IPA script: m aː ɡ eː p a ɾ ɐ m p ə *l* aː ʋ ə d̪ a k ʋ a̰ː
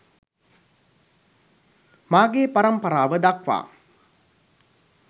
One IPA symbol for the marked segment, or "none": ɾ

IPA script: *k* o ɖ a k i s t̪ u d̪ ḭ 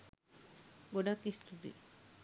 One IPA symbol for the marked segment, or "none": ɡ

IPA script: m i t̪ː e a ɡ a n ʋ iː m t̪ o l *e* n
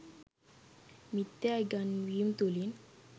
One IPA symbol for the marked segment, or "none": i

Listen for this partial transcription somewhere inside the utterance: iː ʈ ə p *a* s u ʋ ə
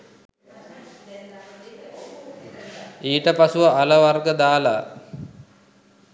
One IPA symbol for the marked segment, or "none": a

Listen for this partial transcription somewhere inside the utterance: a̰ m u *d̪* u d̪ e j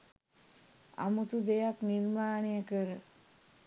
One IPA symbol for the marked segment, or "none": t̪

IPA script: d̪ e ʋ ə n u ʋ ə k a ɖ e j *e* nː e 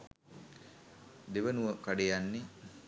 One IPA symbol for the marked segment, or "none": a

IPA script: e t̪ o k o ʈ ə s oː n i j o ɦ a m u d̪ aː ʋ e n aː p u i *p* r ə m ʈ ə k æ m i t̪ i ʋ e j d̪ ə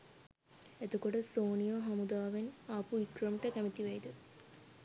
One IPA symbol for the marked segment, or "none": k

